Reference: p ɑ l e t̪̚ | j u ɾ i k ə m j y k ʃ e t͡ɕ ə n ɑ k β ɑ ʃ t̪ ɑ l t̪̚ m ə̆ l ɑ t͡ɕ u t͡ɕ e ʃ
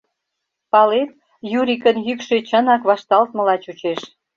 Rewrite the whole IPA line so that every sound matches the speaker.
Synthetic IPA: p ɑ l e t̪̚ | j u ɾ i k ə n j y k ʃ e t͡ɕ ə n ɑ k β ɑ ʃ t̪ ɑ l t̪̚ m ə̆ l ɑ t͡ɕ u t͡ɕ e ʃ